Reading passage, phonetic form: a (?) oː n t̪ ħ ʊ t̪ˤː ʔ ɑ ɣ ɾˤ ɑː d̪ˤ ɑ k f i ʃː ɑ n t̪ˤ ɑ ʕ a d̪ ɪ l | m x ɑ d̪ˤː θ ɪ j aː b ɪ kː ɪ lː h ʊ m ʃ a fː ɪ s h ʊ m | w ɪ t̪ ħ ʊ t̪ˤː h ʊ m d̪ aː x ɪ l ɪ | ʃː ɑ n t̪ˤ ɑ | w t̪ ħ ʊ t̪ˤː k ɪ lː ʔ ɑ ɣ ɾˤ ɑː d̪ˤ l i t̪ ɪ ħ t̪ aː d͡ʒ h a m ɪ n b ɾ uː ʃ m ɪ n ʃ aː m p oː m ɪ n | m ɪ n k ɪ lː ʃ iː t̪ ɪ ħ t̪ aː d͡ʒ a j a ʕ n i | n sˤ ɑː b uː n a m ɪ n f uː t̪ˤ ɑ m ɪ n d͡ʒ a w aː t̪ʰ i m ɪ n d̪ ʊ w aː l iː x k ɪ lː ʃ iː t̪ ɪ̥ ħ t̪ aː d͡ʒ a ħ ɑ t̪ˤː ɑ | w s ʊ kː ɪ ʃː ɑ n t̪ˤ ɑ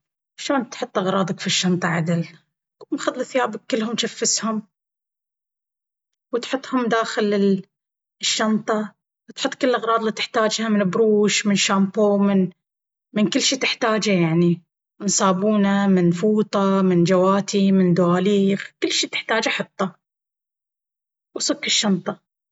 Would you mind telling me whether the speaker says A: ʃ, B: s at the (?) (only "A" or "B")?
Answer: A